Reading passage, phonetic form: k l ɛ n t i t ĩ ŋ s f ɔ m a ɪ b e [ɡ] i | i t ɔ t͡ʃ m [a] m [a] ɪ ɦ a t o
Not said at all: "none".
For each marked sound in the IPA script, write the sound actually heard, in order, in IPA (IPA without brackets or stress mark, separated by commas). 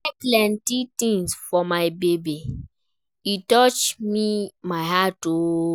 b, i, a